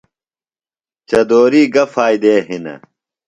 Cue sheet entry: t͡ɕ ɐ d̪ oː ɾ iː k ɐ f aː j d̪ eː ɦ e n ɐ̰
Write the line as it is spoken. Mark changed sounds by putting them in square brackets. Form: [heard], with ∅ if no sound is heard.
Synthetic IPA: t͡ɕ ɐ d̪ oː ɾ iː [ɡ] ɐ f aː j d̪ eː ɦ [i] n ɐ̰